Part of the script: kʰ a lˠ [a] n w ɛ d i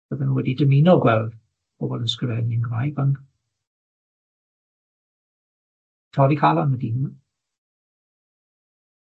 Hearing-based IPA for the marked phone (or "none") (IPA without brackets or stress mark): a